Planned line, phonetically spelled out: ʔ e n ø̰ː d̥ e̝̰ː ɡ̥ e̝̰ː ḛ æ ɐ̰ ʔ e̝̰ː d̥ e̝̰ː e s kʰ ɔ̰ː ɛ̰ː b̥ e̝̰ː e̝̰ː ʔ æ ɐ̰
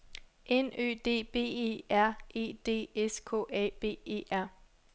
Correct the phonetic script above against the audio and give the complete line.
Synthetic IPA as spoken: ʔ e n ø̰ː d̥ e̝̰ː b̥ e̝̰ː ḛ æ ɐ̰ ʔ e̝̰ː d̥ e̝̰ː e s kʰ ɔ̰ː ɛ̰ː b̥ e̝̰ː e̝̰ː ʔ æ ɐ̰